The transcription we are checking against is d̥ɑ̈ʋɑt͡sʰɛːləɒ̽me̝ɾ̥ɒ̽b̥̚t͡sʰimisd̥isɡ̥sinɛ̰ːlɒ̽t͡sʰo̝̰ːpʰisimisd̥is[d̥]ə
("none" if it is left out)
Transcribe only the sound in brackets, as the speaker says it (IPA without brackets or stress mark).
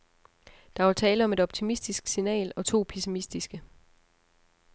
ɡ̥